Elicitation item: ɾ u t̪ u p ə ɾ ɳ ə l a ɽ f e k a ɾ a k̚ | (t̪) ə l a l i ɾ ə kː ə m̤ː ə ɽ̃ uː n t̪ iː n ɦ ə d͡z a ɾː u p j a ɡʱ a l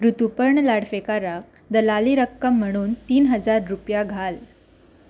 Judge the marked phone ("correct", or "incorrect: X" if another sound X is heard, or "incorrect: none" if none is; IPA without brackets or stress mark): incorrect: d̪